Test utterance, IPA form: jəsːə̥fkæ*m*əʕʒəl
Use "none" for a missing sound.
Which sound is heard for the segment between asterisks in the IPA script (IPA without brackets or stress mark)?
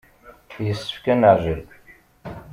n